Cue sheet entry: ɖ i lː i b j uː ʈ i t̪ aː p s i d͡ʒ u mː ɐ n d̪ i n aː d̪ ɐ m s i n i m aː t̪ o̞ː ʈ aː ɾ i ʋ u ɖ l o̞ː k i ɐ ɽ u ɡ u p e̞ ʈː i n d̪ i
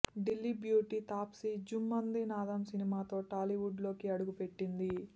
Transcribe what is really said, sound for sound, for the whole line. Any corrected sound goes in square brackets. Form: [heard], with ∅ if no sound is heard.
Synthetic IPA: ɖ i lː i b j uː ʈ i t̪ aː p s i d͡ʒ u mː ɐ n d̪ i n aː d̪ ɐ m s i n i m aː t̪ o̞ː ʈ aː [l] i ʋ u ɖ l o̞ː k i ɐ ɽ u ɡ u p e̞ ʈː i n d̪ i